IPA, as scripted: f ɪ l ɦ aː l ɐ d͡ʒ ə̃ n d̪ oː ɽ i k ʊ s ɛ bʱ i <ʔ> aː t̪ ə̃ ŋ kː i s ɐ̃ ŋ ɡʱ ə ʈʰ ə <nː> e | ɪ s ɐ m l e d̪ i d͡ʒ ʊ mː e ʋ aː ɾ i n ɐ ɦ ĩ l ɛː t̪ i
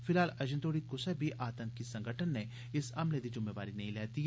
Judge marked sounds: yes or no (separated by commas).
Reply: yes, yes